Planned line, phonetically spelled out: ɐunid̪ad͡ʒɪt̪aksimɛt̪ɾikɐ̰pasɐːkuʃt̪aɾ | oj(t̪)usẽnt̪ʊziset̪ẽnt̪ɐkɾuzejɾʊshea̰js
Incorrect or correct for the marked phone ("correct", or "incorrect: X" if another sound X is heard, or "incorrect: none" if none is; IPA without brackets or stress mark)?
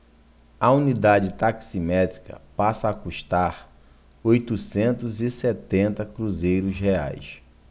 correct